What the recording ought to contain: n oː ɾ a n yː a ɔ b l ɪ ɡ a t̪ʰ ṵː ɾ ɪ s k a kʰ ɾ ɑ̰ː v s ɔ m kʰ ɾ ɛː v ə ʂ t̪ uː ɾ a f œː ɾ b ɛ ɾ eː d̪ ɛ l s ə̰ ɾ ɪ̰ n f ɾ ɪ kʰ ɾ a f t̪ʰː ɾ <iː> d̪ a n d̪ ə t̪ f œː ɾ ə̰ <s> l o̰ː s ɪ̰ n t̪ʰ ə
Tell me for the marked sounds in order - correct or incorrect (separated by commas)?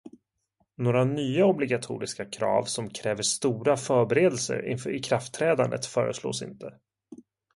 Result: incorrect, correct